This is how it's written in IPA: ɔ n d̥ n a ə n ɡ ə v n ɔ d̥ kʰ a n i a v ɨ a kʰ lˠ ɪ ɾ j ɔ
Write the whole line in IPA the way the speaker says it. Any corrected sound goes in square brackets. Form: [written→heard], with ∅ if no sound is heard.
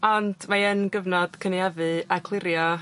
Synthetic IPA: ɔ n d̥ [n→m] a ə n ɡ ə v n ɔ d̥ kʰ [a→ə] n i a v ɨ a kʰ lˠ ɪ ɾ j ɔ